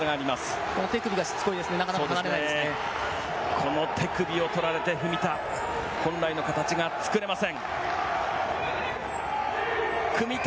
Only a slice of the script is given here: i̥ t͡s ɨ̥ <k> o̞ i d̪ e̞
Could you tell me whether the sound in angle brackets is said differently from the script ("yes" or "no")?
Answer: no